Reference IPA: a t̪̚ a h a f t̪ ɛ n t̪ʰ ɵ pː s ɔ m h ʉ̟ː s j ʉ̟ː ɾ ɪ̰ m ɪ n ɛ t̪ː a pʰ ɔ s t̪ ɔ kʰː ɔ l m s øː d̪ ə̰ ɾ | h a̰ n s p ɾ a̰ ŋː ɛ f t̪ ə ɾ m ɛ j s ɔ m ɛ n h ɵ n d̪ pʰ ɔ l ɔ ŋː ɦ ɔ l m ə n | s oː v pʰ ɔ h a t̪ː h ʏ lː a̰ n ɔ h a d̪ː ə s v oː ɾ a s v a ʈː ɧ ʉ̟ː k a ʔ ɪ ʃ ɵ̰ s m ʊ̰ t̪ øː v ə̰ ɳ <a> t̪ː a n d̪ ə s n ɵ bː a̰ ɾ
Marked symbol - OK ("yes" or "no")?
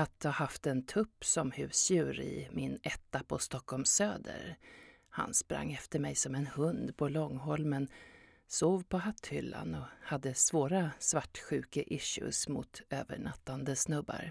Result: yes